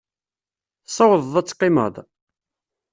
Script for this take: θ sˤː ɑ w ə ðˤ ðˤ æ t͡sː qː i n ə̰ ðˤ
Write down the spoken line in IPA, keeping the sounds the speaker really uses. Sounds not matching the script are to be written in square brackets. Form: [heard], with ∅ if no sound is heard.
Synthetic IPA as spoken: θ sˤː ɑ w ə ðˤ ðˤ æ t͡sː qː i [m] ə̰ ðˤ